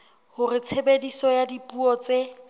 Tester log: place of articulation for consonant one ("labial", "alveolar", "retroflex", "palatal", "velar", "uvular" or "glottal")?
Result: glottal